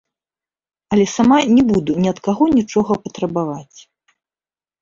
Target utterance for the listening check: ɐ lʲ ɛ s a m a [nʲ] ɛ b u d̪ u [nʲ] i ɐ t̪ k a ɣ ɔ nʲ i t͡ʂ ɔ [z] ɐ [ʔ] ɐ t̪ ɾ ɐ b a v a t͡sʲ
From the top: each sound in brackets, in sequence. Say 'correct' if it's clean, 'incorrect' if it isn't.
correct, correct, incorrect: ɣ, incorrect: p

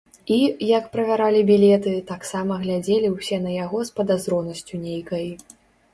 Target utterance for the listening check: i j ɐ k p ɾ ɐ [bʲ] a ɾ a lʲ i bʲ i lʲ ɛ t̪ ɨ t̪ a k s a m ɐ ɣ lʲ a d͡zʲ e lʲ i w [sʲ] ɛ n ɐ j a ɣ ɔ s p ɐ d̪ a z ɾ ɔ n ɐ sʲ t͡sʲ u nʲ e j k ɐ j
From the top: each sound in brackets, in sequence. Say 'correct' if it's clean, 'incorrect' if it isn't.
incorrect: vʲ, correct

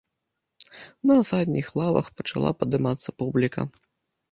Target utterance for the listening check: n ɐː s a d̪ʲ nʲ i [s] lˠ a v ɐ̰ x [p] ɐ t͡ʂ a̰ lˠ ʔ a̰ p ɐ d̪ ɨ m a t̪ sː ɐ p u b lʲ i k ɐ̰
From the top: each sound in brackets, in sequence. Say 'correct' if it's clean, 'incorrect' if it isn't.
incorrect: x, correct

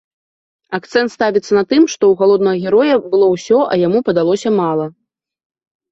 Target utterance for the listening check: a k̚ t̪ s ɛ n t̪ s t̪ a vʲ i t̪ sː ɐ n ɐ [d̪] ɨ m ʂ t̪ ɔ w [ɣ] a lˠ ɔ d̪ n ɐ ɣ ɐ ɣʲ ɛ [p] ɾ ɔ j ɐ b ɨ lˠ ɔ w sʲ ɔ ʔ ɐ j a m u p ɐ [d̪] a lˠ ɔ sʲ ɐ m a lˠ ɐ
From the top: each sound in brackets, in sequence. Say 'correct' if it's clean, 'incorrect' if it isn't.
incorrect: t̪, correct, incorrect: none, correct

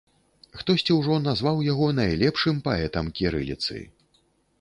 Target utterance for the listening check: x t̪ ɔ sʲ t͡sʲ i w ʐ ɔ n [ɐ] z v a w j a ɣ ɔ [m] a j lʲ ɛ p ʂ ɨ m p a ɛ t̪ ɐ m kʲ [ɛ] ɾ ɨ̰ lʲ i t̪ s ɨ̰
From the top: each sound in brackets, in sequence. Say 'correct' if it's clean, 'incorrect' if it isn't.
incorrect: a, incorrect: n, incorrect: i

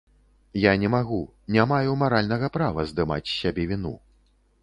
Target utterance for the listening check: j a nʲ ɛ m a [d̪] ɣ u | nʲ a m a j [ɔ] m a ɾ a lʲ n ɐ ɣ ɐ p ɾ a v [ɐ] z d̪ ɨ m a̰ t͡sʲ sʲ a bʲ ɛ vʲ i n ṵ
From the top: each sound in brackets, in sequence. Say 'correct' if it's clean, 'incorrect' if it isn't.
incorrect: none, incorrect: u, correct

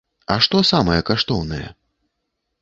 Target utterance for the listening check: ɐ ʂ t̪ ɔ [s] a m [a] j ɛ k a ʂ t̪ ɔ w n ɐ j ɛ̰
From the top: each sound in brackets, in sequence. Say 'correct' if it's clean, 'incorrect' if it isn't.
correct, incorrect: ɐ

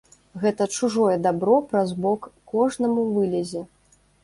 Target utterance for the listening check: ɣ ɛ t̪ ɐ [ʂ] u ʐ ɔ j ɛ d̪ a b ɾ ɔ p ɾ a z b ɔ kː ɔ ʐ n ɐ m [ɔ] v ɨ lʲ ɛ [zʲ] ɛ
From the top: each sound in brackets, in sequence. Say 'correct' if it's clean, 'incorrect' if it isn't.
incorrect: t͡ʂ, incorrect: u, correct

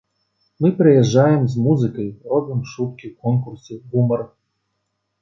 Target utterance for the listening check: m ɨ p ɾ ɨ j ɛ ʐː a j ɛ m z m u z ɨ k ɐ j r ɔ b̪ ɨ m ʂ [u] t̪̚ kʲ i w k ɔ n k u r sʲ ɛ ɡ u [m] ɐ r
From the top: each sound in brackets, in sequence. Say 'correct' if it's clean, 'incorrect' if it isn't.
correct, correct

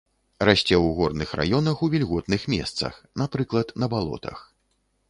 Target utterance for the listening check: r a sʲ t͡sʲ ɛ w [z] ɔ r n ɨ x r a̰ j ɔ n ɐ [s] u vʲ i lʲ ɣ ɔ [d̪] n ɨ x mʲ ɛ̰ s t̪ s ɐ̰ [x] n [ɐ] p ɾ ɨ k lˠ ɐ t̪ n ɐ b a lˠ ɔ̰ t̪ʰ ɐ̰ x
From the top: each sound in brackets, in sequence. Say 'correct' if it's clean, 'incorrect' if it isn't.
incorrect: ɣ, incorrect: x, incorrect: t̪, correct, incorrect: a

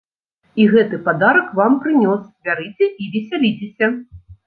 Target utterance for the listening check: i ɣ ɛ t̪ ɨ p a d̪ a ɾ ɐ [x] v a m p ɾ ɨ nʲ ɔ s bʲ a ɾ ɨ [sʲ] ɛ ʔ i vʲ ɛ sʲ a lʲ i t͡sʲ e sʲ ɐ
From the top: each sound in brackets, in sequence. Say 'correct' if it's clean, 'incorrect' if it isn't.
incorrect: k, incorrect: t͡sʲ

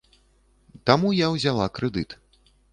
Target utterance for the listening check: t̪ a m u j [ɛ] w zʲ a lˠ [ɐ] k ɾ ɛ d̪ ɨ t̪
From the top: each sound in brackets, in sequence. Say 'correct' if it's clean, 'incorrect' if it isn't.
incorrect: a, incorrect: a

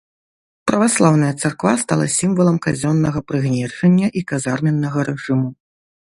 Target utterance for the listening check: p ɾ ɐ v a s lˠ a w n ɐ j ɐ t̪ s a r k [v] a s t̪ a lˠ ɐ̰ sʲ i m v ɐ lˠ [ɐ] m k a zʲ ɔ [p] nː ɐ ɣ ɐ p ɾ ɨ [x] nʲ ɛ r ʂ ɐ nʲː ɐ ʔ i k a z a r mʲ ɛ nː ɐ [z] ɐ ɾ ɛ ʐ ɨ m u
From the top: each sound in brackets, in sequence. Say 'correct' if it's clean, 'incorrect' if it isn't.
correct, correct, incorrect: none, incorrect: ɣ, incorrect: ɣ

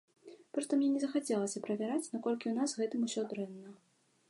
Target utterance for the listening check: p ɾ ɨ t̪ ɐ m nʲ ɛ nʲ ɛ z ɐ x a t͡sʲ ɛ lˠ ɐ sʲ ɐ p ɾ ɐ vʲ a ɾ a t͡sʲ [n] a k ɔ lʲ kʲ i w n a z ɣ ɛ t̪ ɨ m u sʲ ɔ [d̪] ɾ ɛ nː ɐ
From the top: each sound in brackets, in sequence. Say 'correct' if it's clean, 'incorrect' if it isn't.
correct, correct

